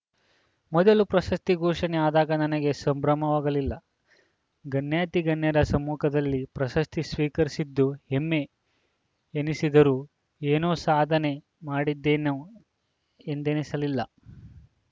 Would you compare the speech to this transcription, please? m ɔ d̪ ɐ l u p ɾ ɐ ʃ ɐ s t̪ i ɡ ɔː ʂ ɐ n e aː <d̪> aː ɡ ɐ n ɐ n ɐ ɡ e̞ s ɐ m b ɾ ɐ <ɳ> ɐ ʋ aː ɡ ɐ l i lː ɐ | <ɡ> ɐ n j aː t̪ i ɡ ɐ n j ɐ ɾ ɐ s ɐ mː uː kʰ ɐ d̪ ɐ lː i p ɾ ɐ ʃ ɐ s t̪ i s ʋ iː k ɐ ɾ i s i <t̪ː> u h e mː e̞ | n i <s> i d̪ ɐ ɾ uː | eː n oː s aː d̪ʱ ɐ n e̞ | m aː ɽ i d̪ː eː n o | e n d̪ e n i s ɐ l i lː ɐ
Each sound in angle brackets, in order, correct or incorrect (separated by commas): correct, incorrect, correct, incorrect, correct